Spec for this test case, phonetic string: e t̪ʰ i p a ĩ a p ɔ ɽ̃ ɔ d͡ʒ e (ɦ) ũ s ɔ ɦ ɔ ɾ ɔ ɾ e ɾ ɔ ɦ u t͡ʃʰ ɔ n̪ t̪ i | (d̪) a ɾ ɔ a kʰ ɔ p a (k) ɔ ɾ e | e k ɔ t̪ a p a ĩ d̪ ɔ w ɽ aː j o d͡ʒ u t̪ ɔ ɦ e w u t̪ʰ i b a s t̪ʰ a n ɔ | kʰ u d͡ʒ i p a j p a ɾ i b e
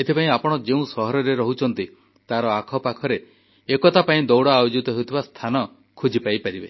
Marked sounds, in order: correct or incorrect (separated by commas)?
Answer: incorrect, incorrect, incorrect